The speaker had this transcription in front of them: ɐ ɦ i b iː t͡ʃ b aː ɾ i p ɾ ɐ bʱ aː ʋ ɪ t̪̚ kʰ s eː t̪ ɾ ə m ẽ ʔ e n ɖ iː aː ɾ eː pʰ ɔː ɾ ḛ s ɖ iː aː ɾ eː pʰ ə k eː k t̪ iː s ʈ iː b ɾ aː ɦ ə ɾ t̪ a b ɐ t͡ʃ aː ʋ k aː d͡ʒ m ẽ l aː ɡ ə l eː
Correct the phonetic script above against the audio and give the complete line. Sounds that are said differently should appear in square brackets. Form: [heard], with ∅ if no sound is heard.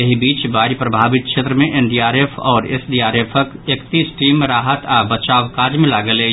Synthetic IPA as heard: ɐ ɦ i b iː t͡ʃ b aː ɾ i p ɾ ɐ bʱ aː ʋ ɪ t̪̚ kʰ [ʃ] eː t̪ ɾ ə m ẽ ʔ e n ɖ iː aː ɾ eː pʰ ɔː ɾ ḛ s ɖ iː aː ɾ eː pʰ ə k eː k t̪ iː s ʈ iː [m] ɾ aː ɦ ə [∅] t̪ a b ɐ t͡ʃ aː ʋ k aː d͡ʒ m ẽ l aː ɡ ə l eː